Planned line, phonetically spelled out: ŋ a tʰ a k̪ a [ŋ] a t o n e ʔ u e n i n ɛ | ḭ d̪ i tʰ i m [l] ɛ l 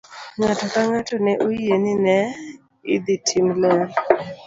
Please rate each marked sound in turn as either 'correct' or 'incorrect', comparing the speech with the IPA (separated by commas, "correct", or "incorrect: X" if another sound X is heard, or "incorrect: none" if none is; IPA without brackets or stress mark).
correct, correct